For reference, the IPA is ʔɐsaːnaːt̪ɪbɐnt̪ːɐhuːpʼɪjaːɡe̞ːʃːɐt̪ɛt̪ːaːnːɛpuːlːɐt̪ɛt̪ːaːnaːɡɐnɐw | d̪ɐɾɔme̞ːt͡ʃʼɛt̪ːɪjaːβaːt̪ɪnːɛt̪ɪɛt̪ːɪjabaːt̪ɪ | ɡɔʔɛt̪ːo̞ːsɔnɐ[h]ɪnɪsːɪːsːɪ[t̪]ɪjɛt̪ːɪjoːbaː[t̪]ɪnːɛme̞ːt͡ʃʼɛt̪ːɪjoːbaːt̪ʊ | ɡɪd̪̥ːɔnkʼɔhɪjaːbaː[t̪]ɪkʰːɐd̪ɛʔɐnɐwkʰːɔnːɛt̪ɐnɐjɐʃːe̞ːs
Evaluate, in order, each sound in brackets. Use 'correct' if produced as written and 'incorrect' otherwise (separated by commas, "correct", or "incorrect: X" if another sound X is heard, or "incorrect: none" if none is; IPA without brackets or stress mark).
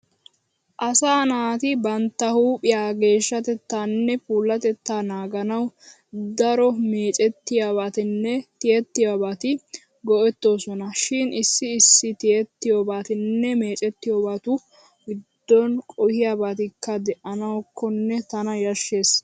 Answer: incorrect: ʃ, correct, correct, correct